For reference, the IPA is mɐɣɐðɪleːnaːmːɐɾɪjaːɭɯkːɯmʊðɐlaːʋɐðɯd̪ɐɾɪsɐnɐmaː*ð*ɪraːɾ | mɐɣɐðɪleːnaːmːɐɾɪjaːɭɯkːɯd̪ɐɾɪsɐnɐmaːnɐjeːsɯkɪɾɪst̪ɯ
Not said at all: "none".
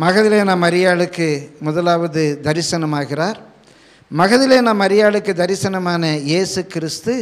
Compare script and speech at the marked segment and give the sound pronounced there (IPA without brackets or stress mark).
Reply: ɣ